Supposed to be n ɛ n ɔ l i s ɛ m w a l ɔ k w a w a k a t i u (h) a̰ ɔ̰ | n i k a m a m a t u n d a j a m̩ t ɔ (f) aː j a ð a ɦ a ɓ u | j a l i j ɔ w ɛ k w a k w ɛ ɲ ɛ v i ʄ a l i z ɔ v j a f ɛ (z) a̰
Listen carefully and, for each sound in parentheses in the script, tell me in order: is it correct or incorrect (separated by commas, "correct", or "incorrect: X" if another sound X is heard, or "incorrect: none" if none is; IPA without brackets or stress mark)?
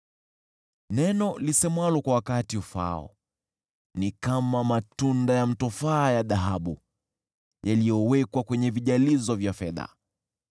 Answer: incorrect: f, correct, incorrect: ð